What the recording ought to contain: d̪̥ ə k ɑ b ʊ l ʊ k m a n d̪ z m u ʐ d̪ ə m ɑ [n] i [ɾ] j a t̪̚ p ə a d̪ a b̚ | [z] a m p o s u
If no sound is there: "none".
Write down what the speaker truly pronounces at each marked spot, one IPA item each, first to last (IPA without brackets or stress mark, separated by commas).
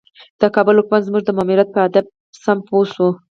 m, ɾ, s